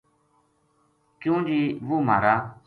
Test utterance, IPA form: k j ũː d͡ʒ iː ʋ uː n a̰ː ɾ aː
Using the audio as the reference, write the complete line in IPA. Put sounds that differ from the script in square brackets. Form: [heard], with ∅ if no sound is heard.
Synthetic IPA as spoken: k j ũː d͡ʒ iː ʋ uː [m] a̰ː ɾ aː

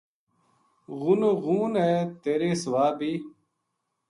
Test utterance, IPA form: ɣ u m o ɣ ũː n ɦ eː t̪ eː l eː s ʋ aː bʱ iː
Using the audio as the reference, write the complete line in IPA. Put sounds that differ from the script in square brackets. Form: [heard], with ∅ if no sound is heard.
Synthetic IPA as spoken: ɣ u [n] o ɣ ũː n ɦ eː t̪ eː [ɾ] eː s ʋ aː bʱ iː

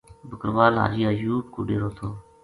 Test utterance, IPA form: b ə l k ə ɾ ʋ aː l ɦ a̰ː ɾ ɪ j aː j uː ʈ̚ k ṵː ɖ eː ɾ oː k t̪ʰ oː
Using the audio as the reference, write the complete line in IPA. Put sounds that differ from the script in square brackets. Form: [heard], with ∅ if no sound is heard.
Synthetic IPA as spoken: b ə [∅] k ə ɾ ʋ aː l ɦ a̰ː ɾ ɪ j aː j uː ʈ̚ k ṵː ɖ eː ɾ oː [∅] t̪ʰ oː

